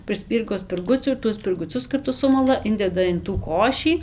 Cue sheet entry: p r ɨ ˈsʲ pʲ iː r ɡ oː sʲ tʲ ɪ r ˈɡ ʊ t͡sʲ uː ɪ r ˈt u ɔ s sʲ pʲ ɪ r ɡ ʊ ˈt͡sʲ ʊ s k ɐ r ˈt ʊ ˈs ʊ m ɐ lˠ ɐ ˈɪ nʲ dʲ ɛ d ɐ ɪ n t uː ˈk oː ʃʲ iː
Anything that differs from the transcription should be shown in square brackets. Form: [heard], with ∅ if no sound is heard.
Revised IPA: p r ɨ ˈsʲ pʲ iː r ɡ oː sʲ [pʲ] ɪ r ˈɡ ʊ t͡sʲ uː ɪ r ˈt u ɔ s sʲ pʲ ɪ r ɡ ʊ ˈt͡sʲ ʊ s k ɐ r ˈt ʊ ˈs ʊ m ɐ lˠ ɐ ˈɪ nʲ dʲ ɛ d ɐ ɪ n t uː ˈk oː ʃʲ iː

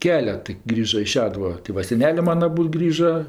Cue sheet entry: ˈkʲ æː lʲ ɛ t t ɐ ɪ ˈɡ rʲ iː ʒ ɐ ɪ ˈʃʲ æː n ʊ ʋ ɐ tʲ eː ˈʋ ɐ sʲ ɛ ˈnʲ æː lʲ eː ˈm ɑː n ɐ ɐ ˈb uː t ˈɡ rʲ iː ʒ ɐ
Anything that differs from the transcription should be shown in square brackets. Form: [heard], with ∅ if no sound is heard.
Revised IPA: ˈkʲ æː lʲ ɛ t t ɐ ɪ ˈɡ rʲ iː ʒ ɐ ɪ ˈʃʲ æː [d] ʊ ʋ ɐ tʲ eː ˈʋ ɐ sʲ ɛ ˈnʲ æː lʲ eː ˈm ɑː n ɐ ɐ ˈb uː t ˈɡ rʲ iː ʒ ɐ

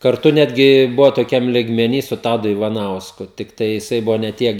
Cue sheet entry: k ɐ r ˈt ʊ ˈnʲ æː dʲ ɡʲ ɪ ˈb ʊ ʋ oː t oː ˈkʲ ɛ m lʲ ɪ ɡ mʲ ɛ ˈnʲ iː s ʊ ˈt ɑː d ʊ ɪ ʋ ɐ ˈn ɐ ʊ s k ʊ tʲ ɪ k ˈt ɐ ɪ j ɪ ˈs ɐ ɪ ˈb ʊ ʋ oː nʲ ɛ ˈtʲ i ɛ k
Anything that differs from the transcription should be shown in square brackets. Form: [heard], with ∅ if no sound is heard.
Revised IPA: k ɐ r ˈt ʊ ˈnʲ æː dʲ ɡʲ ɪ ˈb ʊ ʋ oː t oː ˈkʲ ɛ m lʲ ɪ ɡ mʲ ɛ ˈnʲ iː s ʊ ˈt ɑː d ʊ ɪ ʋ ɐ ˈn ɐ ʊ s k ʊ tʲ ɪ k ˈt ɐ ɪ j ɪ ˈs ɐ ɪ ˈb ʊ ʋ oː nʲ ɛ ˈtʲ i ɛ k

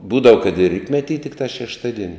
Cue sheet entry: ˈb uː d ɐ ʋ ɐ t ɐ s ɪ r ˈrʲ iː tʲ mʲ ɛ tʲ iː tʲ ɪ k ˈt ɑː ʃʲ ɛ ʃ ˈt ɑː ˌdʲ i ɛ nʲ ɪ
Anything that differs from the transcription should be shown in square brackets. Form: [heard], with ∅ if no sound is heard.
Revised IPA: ˈb uː d ɐ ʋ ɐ [k] ɐ [t] ɪ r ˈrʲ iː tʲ mʲ ɛ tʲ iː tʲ ɪ k ˈt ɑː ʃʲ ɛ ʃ ˈt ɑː ˌdʲ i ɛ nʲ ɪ

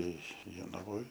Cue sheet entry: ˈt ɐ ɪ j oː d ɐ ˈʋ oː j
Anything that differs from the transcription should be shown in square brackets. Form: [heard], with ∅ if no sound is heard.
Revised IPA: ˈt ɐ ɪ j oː [n] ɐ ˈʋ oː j

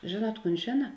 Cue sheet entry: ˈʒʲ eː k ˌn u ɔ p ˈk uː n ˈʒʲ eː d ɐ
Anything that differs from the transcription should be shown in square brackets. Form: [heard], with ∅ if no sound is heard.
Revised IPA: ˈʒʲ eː [∅] ˌn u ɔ [t] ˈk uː n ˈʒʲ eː [n] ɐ

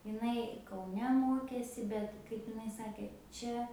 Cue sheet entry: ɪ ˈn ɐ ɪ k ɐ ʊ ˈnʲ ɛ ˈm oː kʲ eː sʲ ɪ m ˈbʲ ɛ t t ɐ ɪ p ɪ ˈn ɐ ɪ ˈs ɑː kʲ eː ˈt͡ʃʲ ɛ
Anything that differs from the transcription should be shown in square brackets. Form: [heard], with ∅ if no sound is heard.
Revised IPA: ɪ ˈn ɐ ɪ k ɐ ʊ ˈnʲ ɛ ˈm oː kʲ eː sʲ ɪ [∅] ˈbʲ ɛ t [k] ɐ ɪ p ɪ ˈn ɐ ɪ ˈs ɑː kʲ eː ˈt͡ʃʲ ɛ

